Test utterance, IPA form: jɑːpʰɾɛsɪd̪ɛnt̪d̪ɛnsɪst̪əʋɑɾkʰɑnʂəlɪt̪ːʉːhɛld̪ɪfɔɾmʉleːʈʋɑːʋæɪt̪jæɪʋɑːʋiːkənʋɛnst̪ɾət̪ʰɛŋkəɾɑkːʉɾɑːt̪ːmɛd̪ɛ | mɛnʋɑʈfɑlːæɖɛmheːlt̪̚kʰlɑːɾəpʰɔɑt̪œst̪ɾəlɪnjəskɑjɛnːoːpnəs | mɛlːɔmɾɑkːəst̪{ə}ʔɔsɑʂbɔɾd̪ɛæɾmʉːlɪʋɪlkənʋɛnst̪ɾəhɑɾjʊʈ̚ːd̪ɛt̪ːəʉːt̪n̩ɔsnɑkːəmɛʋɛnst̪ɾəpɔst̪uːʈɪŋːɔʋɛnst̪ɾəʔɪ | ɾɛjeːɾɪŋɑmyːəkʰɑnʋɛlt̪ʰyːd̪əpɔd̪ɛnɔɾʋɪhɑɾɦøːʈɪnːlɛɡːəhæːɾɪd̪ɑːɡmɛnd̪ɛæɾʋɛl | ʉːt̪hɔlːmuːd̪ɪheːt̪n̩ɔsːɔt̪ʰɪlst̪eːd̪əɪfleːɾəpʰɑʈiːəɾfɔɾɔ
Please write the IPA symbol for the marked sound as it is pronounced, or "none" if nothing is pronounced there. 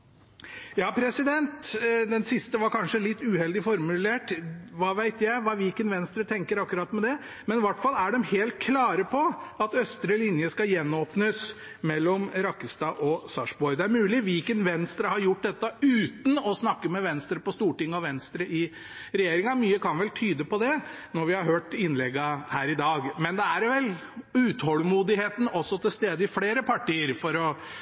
ɑ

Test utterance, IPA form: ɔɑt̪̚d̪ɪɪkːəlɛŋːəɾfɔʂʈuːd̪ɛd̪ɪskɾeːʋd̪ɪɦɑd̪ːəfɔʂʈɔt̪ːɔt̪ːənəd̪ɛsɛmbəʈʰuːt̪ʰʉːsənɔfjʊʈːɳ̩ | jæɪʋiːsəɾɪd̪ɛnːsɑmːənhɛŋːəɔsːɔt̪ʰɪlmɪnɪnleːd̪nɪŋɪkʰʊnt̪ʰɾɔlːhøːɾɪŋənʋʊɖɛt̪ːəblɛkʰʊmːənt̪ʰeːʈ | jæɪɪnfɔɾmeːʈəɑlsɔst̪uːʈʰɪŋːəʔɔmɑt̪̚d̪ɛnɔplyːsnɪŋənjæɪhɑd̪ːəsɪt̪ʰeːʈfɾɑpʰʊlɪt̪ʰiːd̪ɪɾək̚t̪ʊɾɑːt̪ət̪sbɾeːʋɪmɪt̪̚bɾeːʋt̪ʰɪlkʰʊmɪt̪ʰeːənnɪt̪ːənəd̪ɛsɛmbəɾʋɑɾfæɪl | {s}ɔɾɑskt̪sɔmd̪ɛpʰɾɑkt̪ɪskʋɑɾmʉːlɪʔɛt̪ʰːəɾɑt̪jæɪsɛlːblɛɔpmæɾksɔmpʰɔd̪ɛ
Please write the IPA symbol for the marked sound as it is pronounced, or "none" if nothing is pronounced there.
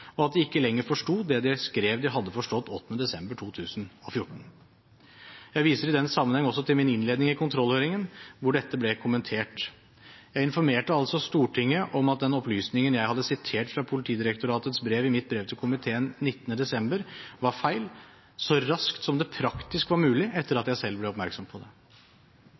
s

